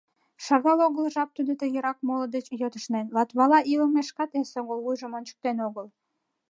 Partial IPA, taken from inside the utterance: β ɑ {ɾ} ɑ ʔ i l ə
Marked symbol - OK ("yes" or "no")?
no